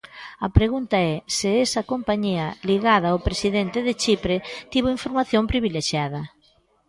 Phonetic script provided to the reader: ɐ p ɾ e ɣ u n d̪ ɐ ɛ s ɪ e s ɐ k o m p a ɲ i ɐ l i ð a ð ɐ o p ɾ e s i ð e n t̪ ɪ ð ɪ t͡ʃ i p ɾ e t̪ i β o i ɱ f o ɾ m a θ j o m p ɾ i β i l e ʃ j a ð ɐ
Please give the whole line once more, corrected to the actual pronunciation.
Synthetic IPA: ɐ p ɾ e ɣ u n t̪ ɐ ɛ s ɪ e s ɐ k o m p a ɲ i ɐ l i ɣ a ð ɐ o p ɾ e s i ð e n t̪ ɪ ð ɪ t͡ʃ i p ɾ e t̪ i β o i ɱ f o ɾ m a θ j o m p ɾ i β i l e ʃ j a ð ɐ